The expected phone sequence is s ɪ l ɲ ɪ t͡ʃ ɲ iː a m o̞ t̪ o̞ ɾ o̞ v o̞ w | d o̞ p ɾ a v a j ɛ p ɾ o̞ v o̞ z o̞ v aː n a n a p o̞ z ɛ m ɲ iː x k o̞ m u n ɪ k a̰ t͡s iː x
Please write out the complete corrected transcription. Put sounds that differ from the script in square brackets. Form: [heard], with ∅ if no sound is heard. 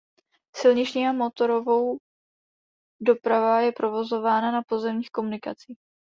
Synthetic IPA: s ɪ l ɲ ɪ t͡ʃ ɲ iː a m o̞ t̪ o̞ ɾ o̞ v o̞ w | d o̞ p ɾ a v a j ɛ p ɾ o̞ v o̞ z o̞ v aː n a n a p o̞ z ɛ m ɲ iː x k o̞ m u n ɪ k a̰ t͡s iː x